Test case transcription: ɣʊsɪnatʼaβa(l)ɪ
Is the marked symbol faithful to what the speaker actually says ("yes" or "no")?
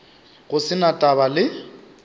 yes